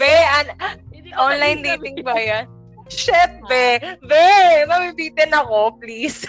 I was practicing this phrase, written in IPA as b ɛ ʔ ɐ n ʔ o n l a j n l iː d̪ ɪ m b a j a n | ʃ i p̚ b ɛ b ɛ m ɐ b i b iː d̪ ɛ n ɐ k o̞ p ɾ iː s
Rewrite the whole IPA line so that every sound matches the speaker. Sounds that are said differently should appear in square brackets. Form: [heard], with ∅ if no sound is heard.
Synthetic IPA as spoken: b ɛ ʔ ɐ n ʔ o n l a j n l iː [t̪] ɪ [ŋ] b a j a n | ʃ [ɛ] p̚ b ɛ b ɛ m ɐ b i b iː [t̪] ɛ n ɐ k o̞ p [l] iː s